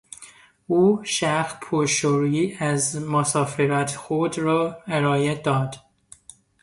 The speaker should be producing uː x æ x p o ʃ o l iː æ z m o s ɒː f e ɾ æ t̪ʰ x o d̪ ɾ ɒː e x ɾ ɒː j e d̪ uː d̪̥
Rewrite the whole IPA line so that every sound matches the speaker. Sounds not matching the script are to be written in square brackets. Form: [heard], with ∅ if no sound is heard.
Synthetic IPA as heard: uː [ʃ] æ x [pʰ] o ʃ o [ɾ] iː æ z m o s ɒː f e ɾ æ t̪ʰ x o d̪ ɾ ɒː e [∅] ɾ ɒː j e d̪ [ɒː] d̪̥